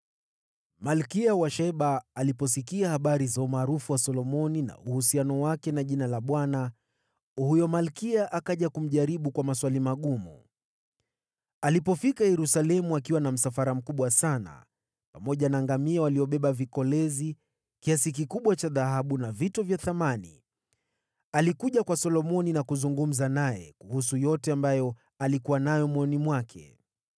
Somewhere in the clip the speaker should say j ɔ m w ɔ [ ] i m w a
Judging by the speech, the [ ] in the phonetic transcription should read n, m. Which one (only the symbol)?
n